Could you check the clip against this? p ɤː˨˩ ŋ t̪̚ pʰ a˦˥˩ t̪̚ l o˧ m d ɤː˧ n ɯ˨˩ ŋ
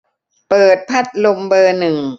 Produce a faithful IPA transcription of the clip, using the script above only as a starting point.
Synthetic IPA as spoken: p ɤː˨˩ t̪̚ pʰ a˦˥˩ t̪̚ l o˧ m b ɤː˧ n ɯ˨˩ ŋ